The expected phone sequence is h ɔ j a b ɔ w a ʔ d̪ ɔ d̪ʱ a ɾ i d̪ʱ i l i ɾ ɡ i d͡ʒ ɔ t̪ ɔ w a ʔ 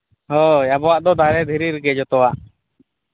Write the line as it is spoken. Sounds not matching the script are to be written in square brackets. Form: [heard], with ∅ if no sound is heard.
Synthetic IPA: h ɔ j a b ɔ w a ʔ d̪ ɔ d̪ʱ a ɾ [ɛ] d̪ʱ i [ɾ] i ɾ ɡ [ɛ] d͡ʒ ɔ t̪ ɔ w a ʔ